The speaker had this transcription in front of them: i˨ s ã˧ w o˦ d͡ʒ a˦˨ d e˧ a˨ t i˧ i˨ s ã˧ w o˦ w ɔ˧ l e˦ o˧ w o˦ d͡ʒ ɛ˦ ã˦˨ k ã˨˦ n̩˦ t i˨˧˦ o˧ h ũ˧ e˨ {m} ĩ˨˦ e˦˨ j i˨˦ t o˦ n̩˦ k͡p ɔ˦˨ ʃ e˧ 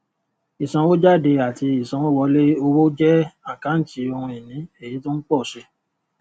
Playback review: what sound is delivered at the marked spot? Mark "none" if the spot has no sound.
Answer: n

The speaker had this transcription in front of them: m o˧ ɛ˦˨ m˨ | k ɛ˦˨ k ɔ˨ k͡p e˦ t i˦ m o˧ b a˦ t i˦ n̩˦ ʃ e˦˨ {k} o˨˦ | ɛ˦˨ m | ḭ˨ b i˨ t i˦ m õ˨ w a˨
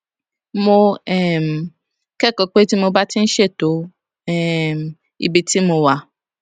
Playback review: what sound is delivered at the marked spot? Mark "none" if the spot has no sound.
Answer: t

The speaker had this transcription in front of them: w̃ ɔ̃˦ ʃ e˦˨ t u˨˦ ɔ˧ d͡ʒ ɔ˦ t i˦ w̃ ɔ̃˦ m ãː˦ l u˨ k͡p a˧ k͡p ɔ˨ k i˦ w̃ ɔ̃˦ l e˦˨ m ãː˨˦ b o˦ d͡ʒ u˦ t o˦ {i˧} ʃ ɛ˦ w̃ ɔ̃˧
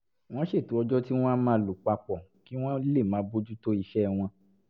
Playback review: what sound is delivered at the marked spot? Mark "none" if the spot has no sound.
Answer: i˧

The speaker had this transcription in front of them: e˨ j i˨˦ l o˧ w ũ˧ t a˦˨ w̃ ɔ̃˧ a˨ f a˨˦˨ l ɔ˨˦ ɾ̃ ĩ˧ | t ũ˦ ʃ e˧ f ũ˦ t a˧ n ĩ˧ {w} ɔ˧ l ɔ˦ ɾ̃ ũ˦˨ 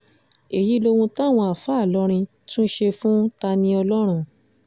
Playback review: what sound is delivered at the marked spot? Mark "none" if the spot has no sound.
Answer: none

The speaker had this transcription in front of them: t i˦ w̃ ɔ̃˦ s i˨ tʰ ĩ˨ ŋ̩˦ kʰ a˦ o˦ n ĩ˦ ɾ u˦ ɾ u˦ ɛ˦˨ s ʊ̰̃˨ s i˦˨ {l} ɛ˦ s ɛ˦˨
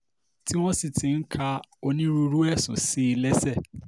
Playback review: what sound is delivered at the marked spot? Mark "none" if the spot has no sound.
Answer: l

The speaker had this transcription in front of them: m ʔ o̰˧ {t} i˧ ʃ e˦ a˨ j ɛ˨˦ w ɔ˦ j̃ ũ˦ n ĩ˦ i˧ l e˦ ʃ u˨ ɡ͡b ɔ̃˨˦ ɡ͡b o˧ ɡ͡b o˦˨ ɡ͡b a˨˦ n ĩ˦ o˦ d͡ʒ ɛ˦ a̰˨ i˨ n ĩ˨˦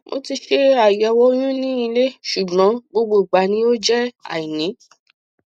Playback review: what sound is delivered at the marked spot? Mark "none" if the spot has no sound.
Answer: t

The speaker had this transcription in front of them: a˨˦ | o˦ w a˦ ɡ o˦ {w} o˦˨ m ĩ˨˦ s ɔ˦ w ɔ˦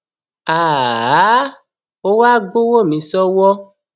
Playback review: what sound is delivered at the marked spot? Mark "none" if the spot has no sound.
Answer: w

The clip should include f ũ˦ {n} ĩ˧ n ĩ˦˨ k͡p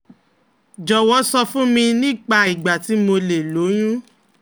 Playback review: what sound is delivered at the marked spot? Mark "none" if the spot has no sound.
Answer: m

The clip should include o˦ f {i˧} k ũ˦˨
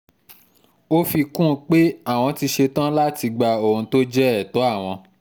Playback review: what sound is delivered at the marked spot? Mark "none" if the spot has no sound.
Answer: i˧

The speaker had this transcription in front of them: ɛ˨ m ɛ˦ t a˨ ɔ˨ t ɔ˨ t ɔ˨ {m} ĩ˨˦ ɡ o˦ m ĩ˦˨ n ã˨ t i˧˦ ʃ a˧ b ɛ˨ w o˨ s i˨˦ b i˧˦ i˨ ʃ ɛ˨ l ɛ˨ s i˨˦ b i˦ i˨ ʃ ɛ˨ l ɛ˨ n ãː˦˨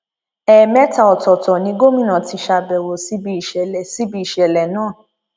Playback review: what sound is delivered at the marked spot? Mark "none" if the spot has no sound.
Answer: n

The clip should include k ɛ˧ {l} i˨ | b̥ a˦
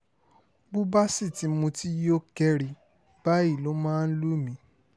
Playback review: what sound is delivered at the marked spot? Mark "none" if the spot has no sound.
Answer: ɾ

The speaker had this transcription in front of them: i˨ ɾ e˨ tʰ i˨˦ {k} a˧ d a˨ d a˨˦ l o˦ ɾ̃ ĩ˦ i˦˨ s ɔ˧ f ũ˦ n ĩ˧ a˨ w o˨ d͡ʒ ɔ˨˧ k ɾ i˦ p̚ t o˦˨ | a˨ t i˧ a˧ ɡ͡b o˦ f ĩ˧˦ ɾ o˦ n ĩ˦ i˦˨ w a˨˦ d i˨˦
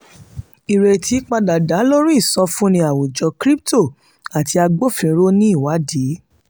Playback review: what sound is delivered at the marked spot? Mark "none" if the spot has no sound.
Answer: k͡p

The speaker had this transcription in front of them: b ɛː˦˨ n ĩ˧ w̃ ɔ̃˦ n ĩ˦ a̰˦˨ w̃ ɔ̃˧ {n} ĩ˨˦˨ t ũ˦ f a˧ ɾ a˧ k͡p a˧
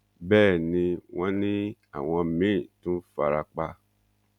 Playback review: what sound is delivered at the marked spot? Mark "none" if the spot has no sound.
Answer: m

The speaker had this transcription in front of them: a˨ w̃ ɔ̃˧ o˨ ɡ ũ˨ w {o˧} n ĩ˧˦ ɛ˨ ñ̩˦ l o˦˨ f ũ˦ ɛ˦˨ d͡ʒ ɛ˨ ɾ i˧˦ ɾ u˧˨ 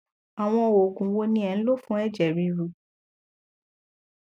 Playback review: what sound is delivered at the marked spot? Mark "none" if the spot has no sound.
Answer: o˧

